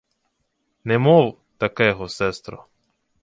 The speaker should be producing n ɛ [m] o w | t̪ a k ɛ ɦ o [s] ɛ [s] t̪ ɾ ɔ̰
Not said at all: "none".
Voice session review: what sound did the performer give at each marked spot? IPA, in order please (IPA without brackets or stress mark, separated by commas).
m, s, s